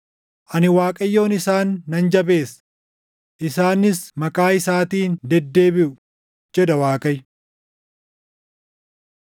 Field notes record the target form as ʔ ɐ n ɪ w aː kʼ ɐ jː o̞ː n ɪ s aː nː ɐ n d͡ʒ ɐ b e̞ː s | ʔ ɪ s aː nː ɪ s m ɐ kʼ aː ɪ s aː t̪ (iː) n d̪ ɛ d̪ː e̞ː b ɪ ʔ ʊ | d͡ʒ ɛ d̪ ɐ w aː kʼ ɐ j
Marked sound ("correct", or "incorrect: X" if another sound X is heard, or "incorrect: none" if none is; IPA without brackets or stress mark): correct